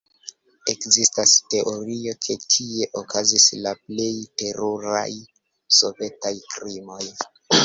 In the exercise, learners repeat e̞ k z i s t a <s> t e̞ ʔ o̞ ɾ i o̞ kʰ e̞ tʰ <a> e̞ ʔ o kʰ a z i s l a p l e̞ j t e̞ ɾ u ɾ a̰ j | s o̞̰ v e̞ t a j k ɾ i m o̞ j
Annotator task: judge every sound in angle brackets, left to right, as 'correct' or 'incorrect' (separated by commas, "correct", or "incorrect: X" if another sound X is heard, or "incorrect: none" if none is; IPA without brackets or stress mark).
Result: correct, incorrect: i